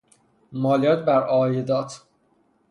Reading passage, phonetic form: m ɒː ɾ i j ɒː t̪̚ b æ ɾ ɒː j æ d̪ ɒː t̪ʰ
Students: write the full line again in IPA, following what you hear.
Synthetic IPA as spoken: m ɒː l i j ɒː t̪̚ b æ ɾ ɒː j e d̪ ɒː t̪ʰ